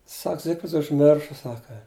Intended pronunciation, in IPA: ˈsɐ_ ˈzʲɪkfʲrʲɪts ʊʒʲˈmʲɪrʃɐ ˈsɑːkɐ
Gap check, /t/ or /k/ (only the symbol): k